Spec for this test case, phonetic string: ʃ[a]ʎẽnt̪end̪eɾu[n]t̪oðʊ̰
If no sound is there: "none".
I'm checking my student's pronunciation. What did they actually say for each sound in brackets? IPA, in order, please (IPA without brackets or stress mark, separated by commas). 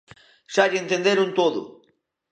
a, n